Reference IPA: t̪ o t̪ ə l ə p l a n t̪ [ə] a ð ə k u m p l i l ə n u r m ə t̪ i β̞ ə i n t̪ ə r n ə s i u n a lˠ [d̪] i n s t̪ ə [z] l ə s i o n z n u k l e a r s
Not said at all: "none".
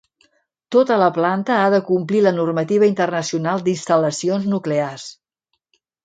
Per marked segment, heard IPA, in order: ə, d̪, none

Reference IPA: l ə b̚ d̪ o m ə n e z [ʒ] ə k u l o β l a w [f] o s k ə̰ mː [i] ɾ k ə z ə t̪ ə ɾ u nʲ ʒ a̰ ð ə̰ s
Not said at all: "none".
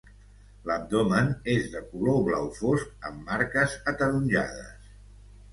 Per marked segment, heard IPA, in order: ð, f, a

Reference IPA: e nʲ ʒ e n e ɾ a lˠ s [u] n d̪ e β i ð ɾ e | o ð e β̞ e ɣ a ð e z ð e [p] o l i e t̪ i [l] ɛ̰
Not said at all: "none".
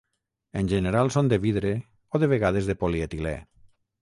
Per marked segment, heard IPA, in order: o, p, l

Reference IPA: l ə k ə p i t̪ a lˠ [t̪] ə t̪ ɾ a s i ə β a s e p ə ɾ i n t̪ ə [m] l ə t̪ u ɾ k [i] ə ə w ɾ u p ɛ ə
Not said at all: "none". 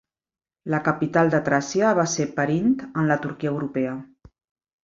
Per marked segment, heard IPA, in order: d̪, n, i

